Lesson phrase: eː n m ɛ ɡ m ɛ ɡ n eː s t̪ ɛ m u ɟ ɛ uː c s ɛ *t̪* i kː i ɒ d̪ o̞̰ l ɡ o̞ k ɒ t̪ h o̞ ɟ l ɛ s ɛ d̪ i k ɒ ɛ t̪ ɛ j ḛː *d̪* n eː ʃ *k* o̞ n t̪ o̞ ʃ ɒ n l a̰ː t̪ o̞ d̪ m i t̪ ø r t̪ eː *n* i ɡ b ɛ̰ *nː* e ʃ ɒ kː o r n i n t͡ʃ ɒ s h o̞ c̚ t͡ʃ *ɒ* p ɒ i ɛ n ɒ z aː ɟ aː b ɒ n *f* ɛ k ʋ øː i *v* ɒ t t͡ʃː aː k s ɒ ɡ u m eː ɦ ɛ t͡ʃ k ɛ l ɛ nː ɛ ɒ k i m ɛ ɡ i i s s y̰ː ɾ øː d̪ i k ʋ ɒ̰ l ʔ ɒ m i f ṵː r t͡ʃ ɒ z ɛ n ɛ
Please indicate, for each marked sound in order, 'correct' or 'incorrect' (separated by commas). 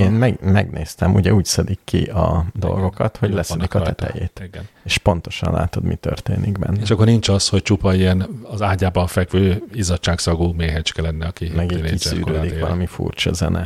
incorrect, incorrect, incorrect, correct, correct, incorrect, correct, incorrect